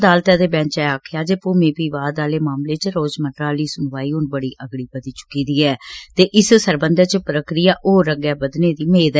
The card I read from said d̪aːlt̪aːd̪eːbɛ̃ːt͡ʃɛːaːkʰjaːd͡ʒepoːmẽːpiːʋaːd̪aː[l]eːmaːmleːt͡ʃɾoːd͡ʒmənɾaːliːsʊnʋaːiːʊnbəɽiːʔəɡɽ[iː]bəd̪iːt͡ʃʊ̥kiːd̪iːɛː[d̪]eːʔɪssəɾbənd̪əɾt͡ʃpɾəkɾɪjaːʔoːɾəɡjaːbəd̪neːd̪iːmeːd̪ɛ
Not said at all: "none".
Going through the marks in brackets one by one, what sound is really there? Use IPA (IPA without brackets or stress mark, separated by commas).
l, iː, t̪